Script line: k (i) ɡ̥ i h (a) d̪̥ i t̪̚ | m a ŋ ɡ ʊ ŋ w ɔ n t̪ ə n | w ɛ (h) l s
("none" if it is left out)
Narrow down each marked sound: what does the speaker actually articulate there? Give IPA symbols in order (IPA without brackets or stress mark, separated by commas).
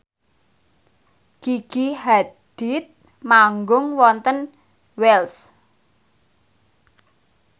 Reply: i, a, none